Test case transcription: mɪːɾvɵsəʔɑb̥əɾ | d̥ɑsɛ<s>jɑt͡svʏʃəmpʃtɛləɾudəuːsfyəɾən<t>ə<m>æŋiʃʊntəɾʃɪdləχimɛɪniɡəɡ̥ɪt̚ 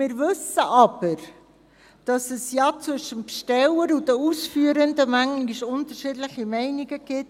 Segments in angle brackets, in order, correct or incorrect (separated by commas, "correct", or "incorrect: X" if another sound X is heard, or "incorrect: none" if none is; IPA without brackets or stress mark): correct, incorrect: d, correct